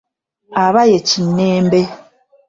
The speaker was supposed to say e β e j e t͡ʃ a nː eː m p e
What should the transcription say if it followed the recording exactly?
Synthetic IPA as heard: a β a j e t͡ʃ i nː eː m b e